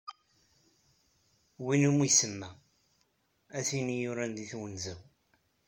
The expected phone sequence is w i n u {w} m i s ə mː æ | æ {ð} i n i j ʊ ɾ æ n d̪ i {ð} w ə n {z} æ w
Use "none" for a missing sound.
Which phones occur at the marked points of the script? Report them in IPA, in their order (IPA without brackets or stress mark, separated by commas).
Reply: none, θ, θ, z